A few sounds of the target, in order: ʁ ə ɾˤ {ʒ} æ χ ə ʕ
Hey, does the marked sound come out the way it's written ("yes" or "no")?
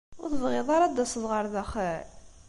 no